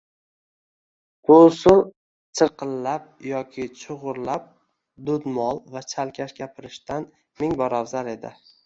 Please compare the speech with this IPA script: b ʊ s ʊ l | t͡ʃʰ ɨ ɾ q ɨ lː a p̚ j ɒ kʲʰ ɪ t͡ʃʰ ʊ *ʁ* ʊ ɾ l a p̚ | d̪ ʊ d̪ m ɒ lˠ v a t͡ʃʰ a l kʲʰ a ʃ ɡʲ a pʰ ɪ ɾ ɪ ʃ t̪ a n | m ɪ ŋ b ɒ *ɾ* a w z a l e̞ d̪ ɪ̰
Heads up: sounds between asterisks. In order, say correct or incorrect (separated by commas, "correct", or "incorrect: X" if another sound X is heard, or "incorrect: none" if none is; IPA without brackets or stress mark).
correct, correct